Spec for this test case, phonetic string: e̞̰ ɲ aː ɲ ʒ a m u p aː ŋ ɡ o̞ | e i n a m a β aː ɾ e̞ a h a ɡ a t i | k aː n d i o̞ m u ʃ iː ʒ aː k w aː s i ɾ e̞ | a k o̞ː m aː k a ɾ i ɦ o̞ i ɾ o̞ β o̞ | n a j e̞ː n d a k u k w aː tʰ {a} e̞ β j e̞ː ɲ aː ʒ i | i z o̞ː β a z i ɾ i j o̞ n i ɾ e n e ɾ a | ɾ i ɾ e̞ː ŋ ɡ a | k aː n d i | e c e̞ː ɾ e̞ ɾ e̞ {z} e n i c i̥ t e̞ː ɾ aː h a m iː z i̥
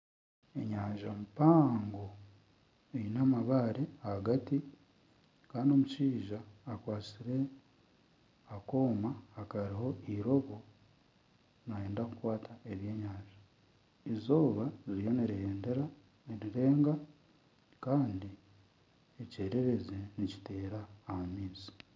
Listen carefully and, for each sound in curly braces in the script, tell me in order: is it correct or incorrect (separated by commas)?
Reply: correct, correct